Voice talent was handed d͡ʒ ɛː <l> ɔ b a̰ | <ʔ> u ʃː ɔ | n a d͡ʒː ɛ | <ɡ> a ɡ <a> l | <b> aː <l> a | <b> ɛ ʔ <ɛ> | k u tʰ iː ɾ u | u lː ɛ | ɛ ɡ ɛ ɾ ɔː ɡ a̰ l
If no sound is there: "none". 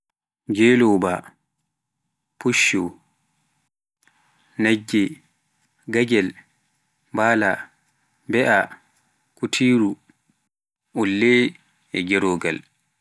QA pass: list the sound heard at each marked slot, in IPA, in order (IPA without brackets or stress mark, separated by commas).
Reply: l, p, ɡ, ɛ, b, l, b, a